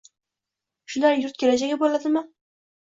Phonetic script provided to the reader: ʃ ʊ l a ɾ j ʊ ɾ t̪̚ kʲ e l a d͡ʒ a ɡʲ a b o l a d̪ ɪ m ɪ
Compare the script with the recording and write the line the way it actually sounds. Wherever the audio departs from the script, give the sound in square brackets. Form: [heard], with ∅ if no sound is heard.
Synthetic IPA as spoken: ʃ ʊ l a ɾ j ʊ ɾ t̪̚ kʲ e l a d͡ʒ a ɡʲ a b o l a d̪ ɪ m ɪ